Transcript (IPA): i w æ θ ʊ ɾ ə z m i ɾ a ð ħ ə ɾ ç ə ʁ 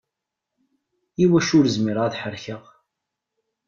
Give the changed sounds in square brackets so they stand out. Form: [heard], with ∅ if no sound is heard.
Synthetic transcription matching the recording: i w æ [ʃ] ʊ ɾ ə z m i ɾ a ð ħ ə ɾ ç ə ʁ